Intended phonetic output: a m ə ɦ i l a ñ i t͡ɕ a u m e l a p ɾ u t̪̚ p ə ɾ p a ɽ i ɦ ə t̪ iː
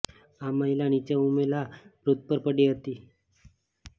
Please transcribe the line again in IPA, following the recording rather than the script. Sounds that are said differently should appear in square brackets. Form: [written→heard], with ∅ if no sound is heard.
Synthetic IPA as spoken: a m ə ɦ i l a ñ i t͡ɕ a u m e l a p ɾ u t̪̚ p ə ɾ p [a→ə] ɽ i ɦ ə t̪ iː